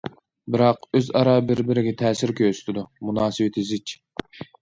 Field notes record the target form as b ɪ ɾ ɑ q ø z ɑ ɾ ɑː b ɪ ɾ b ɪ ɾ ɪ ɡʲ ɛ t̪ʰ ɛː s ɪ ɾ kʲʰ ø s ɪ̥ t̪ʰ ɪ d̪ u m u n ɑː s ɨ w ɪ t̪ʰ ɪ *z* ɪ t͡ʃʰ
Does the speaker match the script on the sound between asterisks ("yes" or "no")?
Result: yes